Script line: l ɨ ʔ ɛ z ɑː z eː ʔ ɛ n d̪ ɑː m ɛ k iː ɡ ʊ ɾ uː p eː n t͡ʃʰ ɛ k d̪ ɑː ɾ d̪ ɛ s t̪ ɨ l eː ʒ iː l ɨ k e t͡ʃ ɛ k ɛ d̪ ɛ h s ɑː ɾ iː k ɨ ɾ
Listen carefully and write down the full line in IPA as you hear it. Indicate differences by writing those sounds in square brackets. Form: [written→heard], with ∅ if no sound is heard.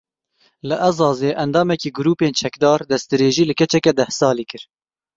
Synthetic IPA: l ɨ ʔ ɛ z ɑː z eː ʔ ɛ n d̪ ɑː m ɛ k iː ɡ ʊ ɾ uː p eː n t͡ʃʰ ɛ k d̪ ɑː ɾ d̪ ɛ s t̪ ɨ [l→ɾ] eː ʒ iː l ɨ k [e→ɛ] t͡ʃ ɛ k ɛ d̪ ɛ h s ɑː [ɾ→l] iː k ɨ ɾ